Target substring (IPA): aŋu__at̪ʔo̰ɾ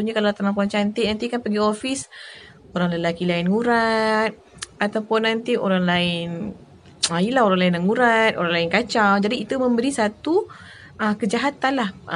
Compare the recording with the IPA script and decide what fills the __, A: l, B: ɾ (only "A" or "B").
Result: B